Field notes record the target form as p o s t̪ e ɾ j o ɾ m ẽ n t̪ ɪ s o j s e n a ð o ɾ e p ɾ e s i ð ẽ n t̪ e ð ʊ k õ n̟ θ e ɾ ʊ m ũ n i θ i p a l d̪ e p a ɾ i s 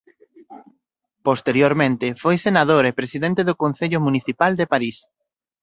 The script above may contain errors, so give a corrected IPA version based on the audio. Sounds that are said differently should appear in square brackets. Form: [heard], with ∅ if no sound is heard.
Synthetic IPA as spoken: p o s t̪ e ɾ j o ɾ m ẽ n t̪ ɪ [f] o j s e n a ð o ɾ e p ɾ e s i ð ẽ n t̪ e ð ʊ k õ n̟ θ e [ʎ] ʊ m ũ n i θ i p a l d̪ e p a ɾ i s